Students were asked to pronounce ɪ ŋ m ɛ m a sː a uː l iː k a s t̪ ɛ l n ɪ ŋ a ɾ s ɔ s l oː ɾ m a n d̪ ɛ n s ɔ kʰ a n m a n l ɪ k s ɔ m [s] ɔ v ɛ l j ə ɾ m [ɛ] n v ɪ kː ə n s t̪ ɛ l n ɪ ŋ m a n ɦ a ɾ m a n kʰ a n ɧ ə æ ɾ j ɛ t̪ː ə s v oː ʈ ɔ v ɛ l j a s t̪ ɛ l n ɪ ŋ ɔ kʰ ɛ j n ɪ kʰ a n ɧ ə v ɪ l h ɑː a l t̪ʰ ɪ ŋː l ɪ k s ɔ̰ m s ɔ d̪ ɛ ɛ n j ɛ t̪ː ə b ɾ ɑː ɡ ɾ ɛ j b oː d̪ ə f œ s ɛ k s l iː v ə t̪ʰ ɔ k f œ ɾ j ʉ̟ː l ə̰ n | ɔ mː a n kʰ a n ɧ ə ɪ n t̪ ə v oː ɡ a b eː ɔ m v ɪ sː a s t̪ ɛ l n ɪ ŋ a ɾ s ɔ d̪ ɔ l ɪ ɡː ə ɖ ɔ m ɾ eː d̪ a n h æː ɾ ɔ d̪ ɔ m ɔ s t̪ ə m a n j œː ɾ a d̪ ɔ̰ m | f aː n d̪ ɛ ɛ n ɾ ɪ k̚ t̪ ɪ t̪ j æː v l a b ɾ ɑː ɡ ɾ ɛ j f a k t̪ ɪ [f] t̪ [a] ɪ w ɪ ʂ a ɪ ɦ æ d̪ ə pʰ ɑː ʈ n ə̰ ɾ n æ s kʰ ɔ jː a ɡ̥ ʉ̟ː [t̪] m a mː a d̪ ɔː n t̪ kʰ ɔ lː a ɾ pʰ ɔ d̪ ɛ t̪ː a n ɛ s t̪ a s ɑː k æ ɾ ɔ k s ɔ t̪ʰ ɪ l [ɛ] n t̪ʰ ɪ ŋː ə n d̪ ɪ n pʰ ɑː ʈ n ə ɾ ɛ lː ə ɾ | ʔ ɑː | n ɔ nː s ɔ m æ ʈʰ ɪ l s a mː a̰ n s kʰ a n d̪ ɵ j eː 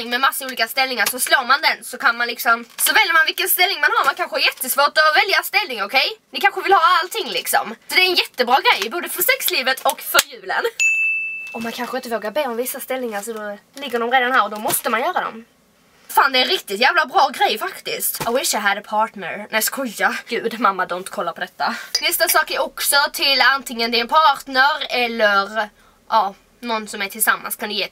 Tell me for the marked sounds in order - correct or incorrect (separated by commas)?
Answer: correct, incorrect, incorrect, correct, incorrect, incorrect